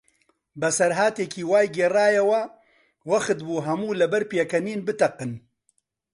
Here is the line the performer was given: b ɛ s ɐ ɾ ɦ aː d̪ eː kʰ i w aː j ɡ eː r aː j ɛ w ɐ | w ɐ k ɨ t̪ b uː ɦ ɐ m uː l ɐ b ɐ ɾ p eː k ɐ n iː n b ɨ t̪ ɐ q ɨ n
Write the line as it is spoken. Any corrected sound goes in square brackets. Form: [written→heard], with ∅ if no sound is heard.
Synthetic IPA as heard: b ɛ s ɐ ɾ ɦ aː [d̪→t̪] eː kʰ [i→iː] w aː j ɡ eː r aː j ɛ w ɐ | w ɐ [k→x] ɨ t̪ b uː ɦ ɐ m uː l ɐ b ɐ ɾ p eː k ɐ n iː n b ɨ t̪ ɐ q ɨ n